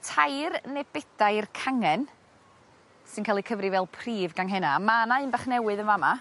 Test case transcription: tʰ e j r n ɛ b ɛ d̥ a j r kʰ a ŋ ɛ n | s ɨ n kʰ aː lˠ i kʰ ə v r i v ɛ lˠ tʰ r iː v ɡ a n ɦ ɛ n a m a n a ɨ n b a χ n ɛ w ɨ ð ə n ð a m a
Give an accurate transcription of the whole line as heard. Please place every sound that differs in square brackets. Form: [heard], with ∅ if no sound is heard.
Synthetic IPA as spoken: tʰ [a] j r n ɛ b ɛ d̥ a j r kʰ a ŋ ɛ n | s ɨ n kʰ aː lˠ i kʰ ə v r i v ɛ lˠ [pʰ] r iː v ɡ a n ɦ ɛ n a m a n a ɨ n b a χ n ɛ w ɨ ð ə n [v] a m a